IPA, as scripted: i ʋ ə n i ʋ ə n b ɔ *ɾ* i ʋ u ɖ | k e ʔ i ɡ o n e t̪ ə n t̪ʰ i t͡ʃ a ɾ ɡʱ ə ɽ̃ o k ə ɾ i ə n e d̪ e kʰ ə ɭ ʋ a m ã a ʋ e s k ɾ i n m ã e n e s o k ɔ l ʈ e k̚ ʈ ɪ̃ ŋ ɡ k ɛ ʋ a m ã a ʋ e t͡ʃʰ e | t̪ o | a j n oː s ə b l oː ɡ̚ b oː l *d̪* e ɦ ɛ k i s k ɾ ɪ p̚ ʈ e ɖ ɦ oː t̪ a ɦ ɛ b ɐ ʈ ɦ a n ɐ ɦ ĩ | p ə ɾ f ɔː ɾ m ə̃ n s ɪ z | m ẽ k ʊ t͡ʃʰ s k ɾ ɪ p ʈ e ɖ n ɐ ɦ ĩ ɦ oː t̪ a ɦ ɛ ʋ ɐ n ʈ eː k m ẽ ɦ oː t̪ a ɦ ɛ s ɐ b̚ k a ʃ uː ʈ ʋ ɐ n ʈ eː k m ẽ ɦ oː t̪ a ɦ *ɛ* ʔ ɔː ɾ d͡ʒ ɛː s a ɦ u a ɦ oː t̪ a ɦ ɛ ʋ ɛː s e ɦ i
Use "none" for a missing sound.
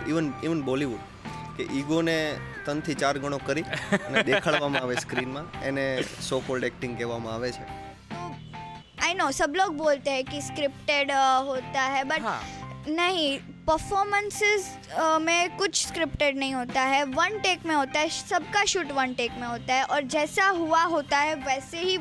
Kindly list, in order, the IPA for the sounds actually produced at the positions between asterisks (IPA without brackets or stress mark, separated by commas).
l, t̪, ɛ